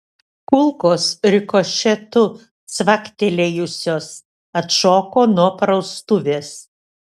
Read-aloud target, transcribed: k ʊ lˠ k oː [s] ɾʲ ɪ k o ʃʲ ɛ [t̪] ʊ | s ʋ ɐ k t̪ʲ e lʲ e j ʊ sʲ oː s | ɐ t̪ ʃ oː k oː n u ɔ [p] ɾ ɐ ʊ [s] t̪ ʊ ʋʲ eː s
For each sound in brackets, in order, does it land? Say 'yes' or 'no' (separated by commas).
yes, yes, yes, yes